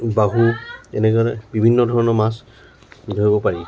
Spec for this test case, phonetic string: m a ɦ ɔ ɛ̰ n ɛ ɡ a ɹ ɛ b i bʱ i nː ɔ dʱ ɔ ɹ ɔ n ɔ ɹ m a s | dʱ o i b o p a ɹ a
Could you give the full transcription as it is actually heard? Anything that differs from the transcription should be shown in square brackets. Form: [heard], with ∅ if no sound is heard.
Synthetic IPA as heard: [b] a ɦ [u] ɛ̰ n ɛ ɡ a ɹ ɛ b i bʱ i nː ɔ dʱ ɔ ɹ ɔ n ɔ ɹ m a s | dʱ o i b [ɔ] p a ɹ [i]